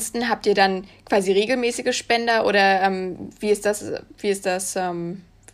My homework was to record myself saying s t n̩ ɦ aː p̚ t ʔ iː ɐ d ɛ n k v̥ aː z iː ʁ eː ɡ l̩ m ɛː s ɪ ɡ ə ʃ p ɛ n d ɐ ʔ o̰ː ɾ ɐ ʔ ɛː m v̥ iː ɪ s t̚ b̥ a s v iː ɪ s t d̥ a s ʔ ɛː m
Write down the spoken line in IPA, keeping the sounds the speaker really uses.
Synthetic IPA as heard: s t n̩ ɦ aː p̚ t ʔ iː ɐ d a n k v̥ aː z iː ʁ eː ɡ l̩ m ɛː s ɪ ɡ ə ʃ p ɛ n d ɐ ʔ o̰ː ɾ ɐ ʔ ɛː m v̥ iː ɪ s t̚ d̥ a s v iː ɪ s t d̥ a s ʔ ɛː m